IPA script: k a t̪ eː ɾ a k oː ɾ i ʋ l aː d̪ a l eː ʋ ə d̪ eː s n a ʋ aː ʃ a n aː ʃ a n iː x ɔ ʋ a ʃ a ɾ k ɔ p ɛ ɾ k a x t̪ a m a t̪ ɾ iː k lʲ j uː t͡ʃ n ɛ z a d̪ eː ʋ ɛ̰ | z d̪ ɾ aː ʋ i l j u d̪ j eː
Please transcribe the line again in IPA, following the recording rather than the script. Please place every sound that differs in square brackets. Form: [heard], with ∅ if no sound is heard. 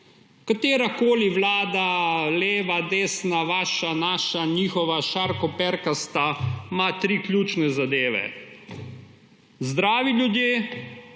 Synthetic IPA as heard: k a t̪ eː ɾ a k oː [l] i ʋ l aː d̪ a l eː ʋ [a] d̪ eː s n a ʋ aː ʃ a n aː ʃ a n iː x ɔ ʋ a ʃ a ɾ k ɔ p ɛ ɾ k a [s] t̪ a m a t̪ ɾ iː k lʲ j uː t͡ʃ n ɛ z a d̪ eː ʋ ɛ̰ | z d̪ ɾ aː ʋ i l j u d̪ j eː